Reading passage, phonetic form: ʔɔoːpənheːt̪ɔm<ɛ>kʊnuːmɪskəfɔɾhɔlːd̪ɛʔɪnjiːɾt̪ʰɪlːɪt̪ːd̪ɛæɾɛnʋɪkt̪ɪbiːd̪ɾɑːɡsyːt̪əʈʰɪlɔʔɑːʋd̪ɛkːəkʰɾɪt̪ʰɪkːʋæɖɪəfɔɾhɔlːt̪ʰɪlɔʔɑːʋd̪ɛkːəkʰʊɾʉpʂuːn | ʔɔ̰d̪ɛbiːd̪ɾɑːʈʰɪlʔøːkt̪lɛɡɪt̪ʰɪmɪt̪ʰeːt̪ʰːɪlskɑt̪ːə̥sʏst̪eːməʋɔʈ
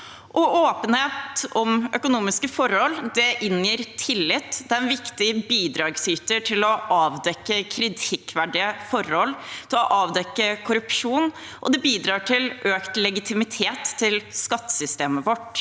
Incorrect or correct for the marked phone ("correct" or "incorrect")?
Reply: incorrect